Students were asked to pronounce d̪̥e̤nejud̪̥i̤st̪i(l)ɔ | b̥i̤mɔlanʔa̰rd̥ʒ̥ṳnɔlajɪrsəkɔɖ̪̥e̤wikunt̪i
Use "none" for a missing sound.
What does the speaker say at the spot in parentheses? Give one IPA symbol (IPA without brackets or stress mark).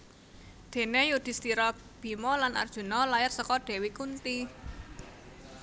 ɾ